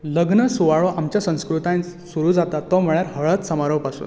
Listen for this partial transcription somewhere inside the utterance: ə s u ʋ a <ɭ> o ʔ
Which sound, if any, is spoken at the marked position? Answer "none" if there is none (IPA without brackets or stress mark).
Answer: ɭ